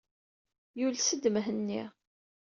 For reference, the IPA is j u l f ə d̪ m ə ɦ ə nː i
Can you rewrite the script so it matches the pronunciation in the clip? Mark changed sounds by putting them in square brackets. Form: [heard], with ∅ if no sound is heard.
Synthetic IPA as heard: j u l [s] ə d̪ m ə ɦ ə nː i